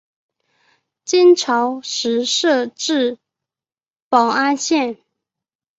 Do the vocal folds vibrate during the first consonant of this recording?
no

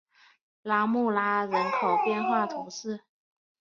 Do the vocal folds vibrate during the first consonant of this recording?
yes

